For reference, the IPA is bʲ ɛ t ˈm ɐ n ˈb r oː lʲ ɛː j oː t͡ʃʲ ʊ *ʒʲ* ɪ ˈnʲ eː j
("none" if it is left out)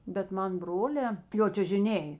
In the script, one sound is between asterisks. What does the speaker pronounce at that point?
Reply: ʒʲ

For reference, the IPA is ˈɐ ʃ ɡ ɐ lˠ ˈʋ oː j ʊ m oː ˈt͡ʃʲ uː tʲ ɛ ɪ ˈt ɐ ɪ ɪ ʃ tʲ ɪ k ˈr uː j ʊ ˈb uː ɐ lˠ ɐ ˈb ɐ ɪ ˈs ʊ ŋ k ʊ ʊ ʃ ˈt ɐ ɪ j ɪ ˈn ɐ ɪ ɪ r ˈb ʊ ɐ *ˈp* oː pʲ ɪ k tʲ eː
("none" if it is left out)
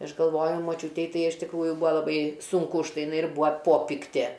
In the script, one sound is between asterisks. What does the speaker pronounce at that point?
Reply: p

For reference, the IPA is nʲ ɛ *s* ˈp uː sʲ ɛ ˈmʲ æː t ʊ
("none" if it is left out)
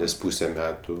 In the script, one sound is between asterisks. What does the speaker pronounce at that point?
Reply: s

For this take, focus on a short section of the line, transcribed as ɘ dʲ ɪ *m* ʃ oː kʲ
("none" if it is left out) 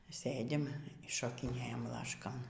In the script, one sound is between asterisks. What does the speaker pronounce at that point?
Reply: m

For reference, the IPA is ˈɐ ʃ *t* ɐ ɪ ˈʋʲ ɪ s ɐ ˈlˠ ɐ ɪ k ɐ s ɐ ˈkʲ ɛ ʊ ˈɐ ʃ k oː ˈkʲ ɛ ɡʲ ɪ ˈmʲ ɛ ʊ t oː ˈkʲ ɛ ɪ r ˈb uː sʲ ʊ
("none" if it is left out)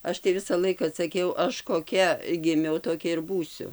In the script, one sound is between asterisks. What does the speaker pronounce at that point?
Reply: t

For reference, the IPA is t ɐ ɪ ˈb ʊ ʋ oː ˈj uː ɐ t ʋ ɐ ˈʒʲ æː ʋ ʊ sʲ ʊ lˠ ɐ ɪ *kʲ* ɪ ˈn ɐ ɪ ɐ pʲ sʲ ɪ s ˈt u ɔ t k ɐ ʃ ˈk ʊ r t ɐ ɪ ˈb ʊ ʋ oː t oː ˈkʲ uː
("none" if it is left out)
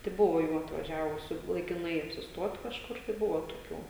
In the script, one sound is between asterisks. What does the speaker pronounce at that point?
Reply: kʲ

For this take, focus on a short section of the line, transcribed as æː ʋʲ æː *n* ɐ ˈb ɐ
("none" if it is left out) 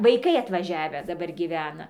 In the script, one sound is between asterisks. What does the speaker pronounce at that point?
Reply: d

